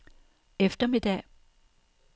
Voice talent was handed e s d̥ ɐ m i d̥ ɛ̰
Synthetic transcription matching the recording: e f d̥ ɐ m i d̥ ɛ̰